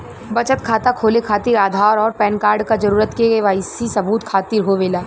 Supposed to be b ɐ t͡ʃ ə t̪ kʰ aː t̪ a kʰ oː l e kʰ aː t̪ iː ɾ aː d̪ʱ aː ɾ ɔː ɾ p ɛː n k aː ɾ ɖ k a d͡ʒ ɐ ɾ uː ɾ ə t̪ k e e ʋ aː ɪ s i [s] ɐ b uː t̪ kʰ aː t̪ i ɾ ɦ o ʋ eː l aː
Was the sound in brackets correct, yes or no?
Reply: yes